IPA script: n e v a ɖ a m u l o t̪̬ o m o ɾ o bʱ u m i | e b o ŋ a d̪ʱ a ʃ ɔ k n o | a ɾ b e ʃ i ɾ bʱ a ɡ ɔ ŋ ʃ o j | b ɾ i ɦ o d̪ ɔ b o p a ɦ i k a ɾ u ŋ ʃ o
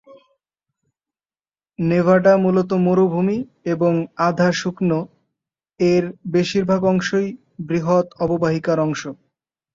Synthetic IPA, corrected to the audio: n e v a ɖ a m u l o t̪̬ o m o ɾ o bʱ u m i | e b o ŋ a d̪ʱ a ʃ u k n o | e ɾ b e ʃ i ɾ bʱ a ɡ ɔ ŋ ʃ o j | b ɾ i ɦ o t̪ ɔ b o b a ɦ i k a ɾ ɔ ŋ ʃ o